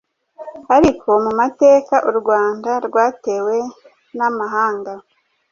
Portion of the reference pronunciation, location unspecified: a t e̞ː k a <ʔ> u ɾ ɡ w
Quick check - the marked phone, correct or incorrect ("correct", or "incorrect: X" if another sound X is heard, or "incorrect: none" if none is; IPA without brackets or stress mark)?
correct